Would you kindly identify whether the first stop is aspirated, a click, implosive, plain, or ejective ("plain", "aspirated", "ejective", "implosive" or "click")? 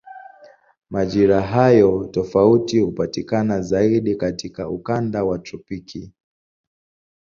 implosive